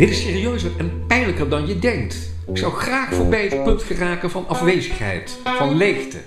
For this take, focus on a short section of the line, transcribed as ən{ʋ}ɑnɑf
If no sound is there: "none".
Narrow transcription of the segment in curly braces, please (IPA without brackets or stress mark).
v